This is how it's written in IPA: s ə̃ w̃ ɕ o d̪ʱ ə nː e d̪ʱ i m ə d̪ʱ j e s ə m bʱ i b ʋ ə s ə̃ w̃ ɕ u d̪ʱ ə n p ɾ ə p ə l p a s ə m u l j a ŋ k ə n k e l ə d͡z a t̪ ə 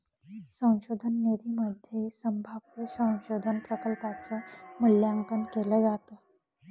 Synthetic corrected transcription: s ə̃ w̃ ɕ o d̪ʱ ə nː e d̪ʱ i m ə d̪ʱ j e s ə m bʱ a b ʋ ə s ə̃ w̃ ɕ o d̪ʱ ə n p ɾ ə k ə l p a t͡s ə m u l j a ŋ k ə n k e l ə d͡z a t̪ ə